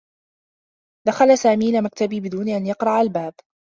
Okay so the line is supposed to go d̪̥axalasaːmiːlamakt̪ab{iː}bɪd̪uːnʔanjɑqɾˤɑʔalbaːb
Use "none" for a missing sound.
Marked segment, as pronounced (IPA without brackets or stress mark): iː